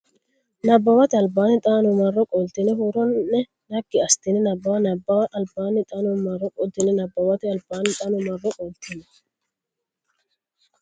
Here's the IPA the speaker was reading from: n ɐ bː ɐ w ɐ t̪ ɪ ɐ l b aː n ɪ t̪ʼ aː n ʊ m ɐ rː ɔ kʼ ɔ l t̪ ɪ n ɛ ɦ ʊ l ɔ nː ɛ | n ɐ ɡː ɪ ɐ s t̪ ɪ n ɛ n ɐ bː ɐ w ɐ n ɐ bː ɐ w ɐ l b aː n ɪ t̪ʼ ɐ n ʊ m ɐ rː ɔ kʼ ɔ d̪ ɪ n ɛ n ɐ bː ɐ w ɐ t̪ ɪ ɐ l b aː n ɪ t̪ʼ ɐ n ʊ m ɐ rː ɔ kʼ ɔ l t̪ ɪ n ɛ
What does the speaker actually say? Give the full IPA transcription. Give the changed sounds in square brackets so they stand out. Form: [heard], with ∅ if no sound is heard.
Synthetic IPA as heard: n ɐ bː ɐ w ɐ t̪ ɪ ɐ l b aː n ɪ t̪ʼ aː n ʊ m ɐ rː ɔ kʼ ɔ l t̪ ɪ n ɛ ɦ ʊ [ɾ] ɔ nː ɛ | n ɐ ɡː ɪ ɐ s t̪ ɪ n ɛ n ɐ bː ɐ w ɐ n ɐ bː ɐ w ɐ l b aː n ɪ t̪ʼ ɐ n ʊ m ɐ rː ɔ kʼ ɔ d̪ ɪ n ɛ n ɐ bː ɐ w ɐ t̪ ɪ ɐ l b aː n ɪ t̪ʼ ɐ n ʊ m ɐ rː ɔ kʼ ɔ l t̪ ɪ n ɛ

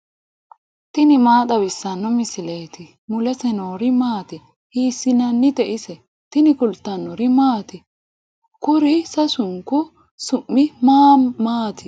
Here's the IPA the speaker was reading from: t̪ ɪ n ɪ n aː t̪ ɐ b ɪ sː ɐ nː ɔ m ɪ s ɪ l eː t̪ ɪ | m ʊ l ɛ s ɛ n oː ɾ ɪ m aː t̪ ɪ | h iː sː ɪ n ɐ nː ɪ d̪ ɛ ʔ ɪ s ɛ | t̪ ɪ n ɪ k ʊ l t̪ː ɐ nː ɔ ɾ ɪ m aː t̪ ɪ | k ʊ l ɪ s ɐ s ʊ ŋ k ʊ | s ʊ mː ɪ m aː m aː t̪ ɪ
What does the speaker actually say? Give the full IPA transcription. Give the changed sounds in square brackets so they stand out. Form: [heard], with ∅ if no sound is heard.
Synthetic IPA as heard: t̪ ɪ n ɪ [m] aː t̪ ɐ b ɪ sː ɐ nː ɔ m ɪ s ɪ l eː t̪ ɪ | m ʊ l ɛ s ɛ n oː ɾ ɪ m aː t̪ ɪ | h iː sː ɪ n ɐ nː ɪ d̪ ɛ ʔ ɪ s ɛ | t̪ ɪ n ɪ k ʊ l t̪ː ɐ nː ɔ ɾ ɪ m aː t̪ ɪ | k ʊ [ɾ] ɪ s ɐ s ʊ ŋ k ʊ | s ʊ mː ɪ m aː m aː t̪ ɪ

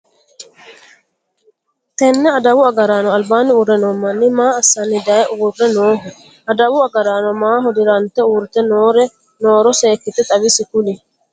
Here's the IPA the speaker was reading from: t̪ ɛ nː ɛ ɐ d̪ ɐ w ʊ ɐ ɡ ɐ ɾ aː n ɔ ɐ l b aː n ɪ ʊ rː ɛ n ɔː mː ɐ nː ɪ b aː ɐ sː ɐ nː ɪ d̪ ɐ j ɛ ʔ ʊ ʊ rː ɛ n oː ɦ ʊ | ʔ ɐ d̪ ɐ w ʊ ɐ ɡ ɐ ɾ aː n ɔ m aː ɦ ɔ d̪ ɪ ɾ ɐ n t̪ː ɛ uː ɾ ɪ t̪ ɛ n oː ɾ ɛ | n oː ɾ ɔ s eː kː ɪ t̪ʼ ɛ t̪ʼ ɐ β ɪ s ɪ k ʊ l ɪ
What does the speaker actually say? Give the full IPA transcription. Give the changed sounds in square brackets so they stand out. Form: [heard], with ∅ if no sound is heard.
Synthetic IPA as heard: t̪ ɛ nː ɛ ɐ d̪ ɐ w ʊ ɐ ɡ ɐ ɾ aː n ɔ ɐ l b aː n ɪ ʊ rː ɛ n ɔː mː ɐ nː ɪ [m] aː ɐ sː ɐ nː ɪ d̪ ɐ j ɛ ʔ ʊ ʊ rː ɛ n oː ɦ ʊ | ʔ ɐ d̪ ɐ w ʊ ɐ ɡ ɐ ɾ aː n ɔ m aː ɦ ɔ d̪ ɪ ɾ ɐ n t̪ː ɛ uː ɾ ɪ t̪ ɛ n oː ɾ ɛ | n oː ɾ ɔ s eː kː ɪ [t̪] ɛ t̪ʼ ɐ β ɪ s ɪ k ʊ l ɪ

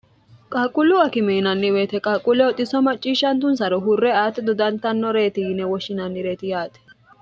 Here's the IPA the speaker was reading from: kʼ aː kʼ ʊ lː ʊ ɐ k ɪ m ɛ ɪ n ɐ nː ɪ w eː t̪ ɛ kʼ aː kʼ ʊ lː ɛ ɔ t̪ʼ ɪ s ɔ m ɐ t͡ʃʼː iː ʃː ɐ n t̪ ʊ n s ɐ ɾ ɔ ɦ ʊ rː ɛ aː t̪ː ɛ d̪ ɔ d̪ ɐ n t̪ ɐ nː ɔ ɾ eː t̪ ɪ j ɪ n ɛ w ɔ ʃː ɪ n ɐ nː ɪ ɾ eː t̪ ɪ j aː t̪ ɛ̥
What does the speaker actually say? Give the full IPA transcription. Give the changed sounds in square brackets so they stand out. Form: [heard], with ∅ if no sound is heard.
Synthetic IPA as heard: kʼ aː kʼ ʊ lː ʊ ɐ k ɪ m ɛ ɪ n ɐ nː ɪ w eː t̪ ɛ kʼ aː kʼ ʊ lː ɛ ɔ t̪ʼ ɪ s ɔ m ɐ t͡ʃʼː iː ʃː ɐ n t̪ ʊ n s ɐ ɾ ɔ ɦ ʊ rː ɛ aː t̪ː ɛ d̪ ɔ d̪ ɐ n t̪ ɐ nː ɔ ɾ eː t̪ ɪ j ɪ n ɛ w ɔ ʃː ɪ n ɐ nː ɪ ɾ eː t̪ ɪ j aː t̪ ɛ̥

